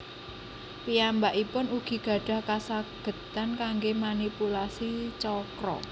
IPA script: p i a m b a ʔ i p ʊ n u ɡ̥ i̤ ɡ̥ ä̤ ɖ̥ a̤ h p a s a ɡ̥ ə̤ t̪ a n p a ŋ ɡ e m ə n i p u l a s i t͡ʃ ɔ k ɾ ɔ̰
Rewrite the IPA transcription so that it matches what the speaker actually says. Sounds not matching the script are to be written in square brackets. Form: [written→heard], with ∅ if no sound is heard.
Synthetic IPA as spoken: p i a m b a ʔ i p ʊ n u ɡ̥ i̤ ɡ̥ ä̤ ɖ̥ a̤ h [p→k] a s a ɡ̥ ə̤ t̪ a n [p→k] a ŋ ɡ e m [ə→a] n i p u l a s i t͡ʃ ɔ k ɾ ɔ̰